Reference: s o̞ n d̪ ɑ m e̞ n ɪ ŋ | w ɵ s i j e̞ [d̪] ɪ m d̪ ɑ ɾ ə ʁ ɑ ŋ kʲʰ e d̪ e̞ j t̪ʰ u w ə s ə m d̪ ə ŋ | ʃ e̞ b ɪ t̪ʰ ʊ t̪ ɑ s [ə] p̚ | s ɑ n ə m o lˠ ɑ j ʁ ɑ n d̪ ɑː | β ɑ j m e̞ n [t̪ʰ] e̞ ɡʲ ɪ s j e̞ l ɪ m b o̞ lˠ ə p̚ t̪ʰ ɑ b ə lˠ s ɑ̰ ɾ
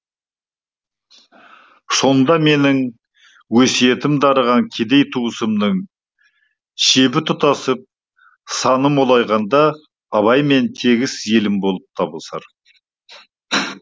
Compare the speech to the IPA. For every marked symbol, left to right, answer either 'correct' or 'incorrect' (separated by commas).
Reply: incorrect, correct, correct